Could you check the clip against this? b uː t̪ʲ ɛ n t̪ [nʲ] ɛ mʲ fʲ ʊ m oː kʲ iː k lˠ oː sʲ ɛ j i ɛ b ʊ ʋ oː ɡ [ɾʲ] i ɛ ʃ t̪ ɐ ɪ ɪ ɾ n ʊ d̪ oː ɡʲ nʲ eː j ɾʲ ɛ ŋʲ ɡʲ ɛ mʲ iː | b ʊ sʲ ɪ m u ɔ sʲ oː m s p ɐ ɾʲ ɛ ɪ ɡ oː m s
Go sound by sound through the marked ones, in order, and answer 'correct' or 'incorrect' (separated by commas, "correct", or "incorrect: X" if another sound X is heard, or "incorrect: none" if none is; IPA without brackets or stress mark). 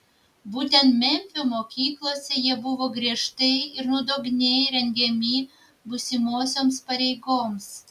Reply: incorrect: mʲ, correct